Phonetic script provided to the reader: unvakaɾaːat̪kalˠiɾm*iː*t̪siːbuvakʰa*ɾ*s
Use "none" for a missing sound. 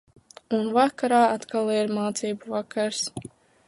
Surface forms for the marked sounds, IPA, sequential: aː, ɾ

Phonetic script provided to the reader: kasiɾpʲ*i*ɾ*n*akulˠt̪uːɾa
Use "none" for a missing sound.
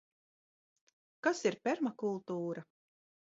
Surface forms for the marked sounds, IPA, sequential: ɛ, m

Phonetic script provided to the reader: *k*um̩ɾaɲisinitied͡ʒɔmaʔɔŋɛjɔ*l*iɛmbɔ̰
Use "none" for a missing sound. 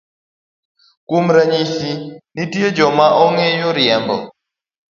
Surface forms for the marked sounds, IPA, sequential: k, ɾ

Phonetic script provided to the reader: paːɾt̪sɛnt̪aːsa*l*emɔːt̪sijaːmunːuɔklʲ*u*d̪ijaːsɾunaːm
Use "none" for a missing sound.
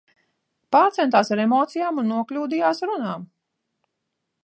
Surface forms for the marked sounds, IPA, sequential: ɾ, uː

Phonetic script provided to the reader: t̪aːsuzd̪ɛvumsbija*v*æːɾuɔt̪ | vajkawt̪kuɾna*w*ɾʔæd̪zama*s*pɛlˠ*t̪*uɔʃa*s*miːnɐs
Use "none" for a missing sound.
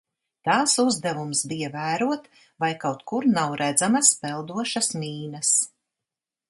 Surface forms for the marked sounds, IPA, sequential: v, w, s, d̪, s

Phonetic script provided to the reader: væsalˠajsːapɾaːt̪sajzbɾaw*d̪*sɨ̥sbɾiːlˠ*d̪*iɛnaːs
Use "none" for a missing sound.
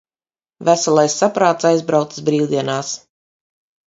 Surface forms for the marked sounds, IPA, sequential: t̪, d̪

